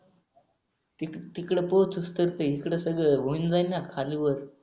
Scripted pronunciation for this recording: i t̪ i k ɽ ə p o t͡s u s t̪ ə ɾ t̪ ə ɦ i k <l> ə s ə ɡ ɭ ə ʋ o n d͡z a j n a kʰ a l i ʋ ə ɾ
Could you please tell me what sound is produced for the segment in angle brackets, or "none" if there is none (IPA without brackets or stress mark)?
ɽ